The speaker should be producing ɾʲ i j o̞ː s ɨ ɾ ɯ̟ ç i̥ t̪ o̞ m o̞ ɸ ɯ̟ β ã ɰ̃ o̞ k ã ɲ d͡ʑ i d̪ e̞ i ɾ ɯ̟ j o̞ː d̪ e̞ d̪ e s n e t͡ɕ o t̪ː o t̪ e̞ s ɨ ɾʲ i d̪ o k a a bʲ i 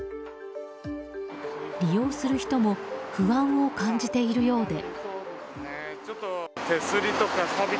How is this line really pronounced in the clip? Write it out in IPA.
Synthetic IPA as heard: ɾʲ i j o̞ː s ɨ ɾ ɯ̟ ç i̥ t̪ o̞ m o̞ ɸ ɯ̟ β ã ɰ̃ o̞ k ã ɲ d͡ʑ i t̪ e̞ i ɾ ɯ̟ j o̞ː d̪ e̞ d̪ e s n e t͡ɕ o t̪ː o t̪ e̞ s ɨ ɾʲ i t̪ o k a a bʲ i